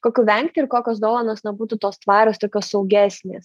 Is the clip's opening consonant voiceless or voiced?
voiceless